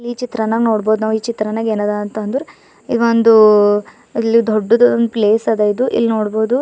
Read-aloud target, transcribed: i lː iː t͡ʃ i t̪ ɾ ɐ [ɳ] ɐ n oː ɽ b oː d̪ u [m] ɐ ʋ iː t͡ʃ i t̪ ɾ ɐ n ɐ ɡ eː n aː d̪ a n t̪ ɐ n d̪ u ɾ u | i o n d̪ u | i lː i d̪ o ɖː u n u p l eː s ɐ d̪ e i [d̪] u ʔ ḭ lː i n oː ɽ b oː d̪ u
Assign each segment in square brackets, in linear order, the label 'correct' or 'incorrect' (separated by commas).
incorrect, incorrect, correct